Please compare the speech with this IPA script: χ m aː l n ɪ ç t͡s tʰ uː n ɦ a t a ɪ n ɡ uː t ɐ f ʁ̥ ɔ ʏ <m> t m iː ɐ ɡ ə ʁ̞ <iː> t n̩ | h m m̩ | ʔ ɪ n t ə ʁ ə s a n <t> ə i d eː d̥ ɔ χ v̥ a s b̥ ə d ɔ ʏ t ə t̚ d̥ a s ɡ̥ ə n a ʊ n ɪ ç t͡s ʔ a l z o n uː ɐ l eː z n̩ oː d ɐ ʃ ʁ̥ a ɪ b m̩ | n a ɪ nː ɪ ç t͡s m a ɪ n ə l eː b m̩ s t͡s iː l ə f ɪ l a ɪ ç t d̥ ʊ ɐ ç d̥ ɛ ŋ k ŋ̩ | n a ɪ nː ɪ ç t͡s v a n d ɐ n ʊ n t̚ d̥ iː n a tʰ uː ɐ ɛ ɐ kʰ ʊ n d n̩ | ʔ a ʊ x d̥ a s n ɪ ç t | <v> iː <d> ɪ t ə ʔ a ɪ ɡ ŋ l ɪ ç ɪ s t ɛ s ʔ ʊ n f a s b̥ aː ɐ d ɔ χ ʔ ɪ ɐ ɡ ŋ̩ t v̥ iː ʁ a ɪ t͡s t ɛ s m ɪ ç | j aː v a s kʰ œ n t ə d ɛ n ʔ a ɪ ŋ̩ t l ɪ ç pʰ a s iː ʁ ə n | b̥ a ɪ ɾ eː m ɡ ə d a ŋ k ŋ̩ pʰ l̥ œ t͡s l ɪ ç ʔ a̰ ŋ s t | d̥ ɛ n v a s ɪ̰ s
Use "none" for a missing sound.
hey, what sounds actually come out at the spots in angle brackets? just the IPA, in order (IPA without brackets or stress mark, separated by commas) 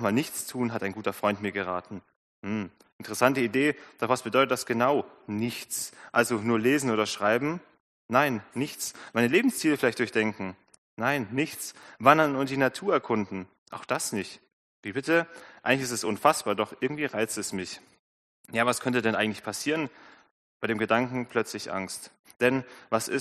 n, aː, t, v, b